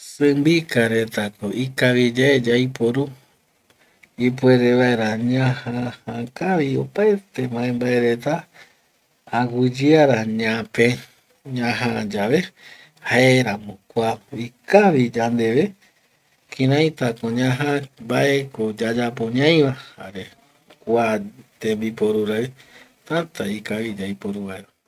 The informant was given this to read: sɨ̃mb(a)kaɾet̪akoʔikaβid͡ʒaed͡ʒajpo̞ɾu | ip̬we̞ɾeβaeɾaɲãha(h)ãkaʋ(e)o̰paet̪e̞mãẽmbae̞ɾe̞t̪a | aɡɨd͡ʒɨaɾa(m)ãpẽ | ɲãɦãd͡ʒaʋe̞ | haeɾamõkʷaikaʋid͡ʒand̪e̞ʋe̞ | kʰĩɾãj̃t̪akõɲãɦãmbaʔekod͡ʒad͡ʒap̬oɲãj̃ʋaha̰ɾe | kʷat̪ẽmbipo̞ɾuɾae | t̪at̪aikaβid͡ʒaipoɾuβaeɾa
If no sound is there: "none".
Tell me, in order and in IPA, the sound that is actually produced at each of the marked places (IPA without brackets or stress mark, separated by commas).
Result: i, h, i, ɲ